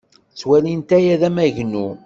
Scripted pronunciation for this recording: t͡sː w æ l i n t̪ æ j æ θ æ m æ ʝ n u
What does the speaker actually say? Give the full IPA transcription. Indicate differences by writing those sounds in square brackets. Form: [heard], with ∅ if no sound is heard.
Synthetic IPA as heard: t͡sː w æ l i n t̪ æ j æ [ð] æ m æ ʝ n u